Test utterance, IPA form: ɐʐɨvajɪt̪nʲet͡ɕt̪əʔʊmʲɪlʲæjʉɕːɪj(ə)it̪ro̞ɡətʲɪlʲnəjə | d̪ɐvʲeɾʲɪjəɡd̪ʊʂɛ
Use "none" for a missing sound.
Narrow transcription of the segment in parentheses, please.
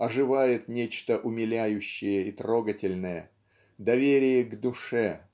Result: ə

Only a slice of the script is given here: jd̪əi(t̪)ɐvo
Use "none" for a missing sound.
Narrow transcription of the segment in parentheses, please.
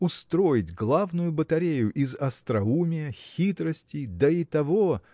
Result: t̪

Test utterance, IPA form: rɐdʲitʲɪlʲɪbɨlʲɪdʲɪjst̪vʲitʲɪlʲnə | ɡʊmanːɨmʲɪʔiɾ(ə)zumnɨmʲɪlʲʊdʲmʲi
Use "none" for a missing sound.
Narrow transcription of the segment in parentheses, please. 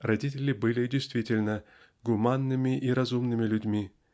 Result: ɐ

